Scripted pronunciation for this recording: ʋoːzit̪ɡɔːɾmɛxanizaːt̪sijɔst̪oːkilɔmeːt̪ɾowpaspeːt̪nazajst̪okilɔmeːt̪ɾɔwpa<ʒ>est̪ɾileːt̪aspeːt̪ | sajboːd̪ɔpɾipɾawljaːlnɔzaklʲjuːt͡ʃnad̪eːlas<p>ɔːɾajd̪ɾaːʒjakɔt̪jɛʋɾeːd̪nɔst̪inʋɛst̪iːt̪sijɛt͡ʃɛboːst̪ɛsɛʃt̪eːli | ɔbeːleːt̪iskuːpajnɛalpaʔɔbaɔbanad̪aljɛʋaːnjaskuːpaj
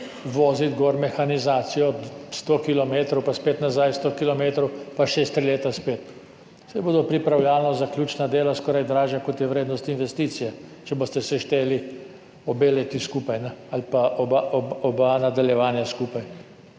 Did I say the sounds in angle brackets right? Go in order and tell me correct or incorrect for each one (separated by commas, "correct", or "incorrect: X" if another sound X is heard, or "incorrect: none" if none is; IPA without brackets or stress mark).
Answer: incorrect: ʃ, incorrect: k